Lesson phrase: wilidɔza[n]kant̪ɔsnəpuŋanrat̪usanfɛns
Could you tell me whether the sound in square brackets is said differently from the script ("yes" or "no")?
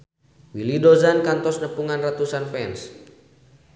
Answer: no